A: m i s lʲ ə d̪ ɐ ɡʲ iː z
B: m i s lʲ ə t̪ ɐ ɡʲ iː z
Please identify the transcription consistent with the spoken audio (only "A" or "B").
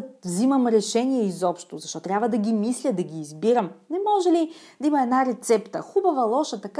A